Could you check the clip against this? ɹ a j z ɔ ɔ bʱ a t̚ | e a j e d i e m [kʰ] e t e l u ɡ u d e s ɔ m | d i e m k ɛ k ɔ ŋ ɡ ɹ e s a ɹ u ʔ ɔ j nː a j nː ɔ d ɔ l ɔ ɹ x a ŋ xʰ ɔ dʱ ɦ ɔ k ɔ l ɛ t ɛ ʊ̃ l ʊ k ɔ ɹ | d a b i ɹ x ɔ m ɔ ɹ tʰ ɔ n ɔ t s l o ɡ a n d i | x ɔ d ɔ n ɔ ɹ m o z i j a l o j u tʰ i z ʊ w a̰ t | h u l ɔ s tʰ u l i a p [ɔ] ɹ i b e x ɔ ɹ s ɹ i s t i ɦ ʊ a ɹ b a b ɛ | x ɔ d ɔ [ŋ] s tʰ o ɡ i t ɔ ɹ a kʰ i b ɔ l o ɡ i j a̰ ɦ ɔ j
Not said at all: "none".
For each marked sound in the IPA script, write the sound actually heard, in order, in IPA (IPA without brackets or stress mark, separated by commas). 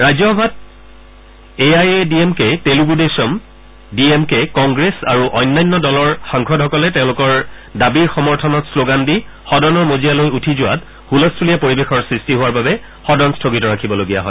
k, o, n